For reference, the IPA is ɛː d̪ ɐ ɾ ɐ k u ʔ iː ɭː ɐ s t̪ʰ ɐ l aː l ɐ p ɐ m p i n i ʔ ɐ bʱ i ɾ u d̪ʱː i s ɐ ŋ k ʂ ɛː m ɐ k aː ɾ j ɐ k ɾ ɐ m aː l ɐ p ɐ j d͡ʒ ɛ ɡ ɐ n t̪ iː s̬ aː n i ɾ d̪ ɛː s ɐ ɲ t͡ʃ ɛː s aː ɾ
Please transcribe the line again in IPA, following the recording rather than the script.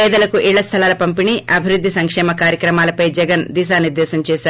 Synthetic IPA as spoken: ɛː d̪ ɐ l ɐ k u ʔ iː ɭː ɐ s t̪ʰ ɐ l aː l ɐ p ɐ m p i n i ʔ ɐ bʱ i ɾ u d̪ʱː i s ɐ ŋ k ʂ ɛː m ɐ k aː ɾ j ɐ k ɾ ɐ m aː l ɐ p ɐ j d͡ʒ ɛ ɡ ɐ n d̪ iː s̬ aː n i ɾ d̪ ɛː s ɐ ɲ t͡ʃ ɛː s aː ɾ